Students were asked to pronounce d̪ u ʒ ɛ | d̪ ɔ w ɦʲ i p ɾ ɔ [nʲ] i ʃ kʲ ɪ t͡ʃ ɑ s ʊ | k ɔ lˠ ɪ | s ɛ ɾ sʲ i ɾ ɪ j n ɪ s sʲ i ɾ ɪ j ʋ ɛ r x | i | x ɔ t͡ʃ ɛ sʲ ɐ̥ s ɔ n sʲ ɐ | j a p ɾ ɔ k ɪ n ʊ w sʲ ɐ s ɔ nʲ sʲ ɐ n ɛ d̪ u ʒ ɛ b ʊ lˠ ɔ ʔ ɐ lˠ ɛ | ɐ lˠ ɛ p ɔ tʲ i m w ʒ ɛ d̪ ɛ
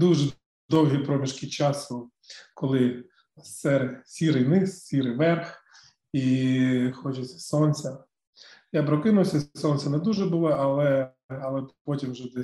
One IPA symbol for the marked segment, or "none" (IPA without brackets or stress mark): mʲ